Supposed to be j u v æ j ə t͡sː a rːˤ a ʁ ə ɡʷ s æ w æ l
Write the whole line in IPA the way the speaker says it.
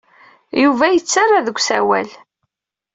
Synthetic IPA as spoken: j u v æ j ə t͡sː a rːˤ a ð ə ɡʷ s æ w æ l